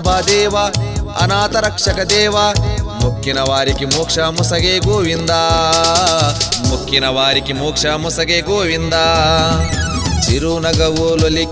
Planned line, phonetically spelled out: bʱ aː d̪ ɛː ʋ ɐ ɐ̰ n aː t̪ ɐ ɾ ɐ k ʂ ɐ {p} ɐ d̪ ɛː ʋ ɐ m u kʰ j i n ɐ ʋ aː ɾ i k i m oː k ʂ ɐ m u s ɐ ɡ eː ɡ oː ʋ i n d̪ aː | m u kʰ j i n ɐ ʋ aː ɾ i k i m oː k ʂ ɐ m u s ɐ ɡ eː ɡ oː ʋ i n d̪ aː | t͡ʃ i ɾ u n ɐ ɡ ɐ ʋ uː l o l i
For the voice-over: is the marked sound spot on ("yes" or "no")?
no